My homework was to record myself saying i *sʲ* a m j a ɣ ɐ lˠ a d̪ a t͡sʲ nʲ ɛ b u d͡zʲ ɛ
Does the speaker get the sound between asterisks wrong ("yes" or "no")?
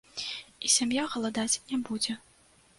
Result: no